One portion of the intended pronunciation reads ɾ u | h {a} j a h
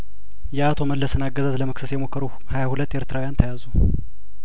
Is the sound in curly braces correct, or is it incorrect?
correct